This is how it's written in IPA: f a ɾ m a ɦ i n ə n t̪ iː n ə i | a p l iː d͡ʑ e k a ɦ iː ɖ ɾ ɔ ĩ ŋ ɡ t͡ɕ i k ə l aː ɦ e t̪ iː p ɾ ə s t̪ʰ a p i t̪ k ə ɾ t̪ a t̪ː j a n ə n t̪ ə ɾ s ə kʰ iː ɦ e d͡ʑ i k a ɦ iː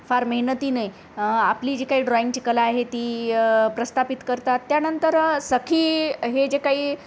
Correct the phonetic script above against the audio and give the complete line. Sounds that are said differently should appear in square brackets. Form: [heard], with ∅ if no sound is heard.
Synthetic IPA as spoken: f a ɾ m [ə] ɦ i n ə [∅] t̪ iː n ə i | a p l iː d͡ʑ e k a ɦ iː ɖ ɾ ɔ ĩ ŋ ɡ t͡ɕ i k ə l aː ɦ e t̪ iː p ɾ ə s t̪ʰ a p i t̪ k ə ɾ t̪ a t̪ː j a n ə n t̪ ə ɾ s ə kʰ iː ɦ e d͡ʑ [e] k a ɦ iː